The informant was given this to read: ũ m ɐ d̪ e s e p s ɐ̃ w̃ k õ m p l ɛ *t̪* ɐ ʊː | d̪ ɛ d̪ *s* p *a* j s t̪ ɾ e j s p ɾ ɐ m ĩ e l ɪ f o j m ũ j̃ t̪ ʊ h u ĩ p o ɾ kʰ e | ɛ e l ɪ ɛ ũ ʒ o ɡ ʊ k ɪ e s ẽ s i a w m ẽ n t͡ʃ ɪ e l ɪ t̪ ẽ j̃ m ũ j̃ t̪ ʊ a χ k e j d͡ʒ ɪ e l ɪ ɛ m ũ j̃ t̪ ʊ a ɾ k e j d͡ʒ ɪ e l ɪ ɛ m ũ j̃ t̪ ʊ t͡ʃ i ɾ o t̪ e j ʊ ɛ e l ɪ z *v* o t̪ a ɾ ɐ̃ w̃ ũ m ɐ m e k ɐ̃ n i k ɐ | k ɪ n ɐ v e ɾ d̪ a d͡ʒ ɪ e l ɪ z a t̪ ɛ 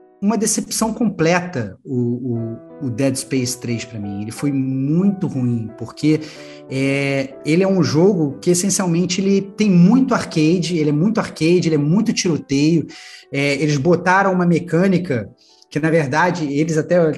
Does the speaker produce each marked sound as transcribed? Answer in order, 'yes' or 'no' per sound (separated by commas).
yes, yes, no, no